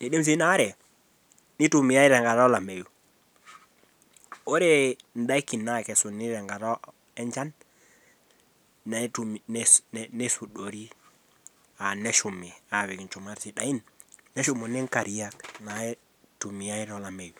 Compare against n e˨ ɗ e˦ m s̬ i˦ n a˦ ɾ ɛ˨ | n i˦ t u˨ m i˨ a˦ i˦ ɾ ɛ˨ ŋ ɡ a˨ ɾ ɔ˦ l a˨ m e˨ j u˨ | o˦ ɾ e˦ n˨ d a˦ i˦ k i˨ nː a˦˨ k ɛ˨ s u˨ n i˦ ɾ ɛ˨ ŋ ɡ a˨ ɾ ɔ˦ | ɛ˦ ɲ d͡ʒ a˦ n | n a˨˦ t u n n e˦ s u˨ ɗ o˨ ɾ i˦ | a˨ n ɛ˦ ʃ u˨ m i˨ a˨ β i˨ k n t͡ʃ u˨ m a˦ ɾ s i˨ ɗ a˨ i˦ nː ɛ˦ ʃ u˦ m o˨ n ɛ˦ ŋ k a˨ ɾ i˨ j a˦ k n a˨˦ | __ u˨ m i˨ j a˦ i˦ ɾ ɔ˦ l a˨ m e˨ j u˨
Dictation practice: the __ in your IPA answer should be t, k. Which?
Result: t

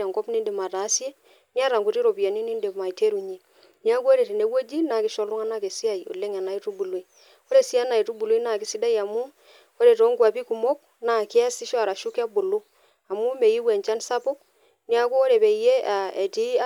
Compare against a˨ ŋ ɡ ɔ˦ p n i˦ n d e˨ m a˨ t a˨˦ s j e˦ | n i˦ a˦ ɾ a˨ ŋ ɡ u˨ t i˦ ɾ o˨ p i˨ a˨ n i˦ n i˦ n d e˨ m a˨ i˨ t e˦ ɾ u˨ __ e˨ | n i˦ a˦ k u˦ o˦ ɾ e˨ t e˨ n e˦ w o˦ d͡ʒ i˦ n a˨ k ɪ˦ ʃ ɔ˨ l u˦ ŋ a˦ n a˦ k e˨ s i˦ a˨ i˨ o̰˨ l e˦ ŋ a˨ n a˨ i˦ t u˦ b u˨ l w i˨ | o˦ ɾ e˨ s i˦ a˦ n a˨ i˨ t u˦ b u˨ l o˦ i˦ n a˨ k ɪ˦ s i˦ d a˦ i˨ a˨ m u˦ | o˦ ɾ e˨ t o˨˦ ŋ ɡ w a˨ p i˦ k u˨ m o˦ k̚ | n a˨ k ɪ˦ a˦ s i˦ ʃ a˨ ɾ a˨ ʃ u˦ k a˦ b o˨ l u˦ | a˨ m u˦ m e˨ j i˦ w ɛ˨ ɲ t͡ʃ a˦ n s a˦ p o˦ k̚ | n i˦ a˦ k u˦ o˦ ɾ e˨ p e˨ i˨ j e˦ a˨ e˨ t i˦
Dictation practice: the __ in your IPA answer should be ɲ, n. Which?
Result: ɲ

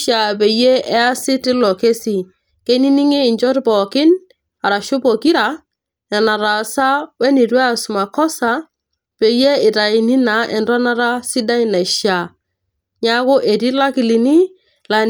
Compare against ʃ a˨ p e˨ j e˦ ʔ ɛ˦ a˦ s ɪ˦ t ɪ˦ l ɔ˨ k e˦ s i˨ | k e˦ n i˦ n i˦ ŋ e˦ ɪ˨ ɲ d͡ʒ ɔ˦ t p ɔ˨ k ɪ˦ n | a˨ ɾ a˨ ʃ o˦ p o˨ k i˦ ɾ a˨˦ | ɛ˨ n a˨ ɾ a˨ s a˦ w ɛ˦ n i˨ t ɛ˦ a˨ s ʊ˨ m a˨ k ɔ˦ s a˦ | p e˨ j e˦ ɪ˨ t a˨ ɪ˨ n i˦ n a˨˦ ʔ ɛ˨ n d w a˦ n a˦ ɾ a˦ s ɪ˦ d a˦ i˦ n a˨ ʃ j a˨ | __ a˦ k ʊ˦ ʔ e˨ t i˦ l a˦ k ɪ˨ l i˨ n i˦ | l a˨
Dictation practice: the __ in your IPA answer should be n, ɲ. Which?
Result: ɲ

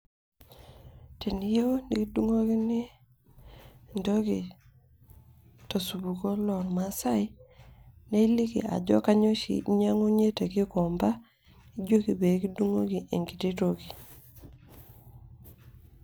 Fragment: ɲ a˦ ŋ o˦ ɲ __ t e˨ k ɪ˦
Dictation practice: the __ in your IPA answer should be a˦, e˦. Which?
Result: e˦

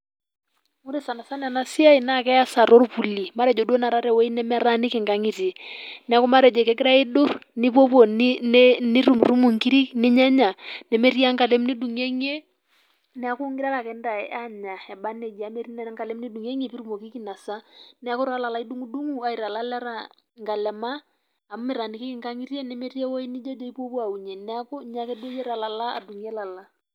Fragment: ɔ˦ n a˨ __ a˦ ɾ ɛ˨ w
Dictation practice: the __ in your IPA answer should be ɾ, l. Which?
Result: ɾ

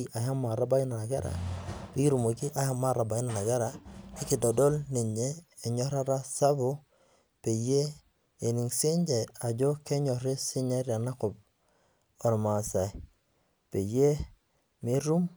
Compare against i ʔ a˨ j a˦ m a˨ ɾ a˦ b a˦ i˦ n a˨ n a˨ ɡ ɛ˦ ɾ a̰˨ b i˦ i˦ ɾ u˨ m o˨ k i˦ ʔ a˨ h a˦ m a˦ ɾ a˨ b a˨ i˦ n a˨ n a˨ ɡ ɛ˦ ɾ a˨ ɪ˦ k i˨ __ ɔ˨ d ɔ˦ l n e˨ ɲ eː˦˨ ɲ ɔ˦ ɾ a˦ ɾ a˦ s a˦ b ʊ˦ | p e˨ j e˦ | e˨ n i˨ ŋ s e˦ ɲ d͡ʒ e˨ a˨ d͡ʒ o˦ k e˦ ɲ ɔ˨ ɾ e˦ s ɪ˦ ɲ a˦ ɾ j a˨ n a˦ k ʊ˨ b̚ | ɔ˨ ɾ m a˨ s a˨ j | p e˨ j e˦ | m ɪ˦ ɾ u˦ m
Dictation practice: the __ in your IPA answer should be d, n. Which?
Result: d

